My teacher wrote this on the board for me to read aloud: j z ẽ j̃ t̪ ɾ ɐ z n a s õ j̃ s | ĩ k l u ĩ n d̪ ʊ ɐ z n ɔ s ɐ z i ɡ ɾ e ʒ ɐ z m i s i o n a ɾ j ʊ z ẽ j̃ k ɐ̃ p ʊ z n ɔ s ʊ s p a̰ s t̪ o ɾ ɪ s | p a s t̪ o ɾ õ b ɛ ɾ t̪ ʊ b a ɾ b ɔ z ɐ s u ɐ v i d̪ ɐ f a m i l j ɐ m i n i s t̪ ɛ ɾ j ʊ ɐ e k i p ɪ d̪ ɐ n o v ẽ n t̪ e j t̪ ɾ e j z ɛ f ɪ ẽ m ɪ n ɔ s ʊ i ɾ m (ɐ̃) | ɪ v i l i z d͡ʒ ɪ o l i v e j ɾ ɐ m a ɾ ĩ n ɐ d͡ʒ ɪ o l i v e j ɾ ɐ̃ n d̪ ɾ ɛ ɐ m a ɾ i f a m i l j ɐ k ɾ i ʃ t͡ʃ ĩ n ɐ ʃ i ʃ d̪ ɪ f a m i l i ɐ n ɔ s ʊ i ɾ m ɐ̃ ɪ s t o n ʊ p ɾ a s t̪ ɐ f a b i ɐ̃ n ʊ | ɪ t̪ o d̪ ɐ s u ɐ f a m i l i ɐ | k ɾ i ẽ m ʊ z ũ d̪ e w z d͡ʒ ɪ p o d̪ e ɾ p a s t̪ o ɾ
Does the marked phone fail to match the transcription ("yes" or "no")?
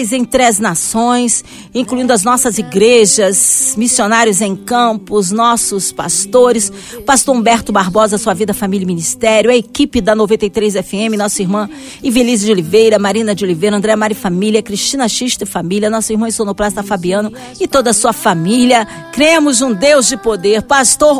no